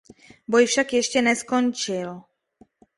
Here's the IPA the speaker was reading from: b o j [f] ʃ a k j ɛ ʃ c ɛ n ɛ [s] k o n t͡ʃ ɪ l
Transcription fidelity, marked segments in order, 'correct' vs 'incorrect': correct, correct

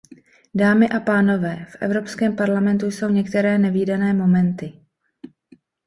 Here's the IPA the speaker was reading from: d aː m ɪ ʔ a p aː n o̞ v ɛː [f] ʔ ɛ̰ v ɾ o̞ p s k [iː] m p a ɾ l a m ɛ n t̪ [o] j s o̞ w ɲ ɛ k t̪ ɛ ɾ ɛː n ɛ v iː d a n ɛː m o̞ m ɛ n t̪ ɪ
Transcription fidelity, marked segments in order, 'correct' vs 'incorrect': correct, incorrect: ɛː, incorrect: u

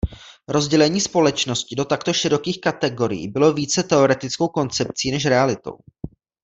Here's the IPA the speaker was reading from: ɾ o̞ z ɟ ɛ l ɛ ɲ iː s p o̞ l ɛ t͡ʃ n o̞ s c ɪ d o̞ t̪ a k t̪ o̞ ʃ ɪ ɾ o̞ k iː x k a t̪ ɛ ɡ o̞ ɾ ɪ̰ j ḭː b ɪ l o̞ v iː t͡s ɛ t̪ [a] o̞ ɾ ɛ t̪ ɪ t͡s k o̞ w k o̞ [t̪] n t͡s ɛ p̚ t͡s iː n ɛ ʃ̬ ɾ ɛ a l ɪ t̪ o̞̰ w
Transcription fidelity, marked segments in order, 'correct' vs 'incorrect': incorrect: ɛ, incorrect: none

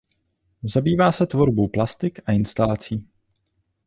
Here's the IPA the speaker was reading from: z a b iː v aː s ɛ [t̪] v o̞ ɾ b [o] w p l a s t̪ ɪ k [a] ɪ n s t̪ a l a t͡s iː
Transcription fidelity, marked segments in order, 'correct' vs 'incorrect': correct, correct, correct

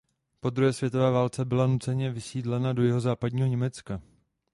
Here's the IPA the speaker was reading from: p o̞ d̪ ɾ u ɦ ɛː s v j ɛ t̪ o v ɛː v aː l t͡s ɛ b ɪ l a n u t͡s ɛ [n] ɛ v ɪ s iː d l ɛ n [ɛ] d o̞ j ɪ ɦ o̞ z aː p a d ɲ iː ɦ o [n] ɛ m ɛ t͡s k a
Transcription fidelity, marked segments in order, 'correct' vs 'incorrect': incorrect: ɲ, incorrect: a, incorrect: ɲ

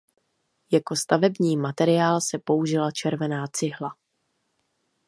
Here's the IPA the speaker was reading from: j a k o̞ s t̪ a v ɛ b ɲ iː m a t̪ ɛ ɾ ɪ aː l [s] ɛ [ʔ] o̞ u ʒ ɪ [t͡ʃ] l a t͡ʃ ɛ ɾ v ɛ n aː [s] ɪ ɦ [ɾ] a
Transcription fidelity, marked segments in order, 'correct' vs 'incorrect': correct, incorrect: p, incorrect: none, incorrect: t͡s, incorrect: l

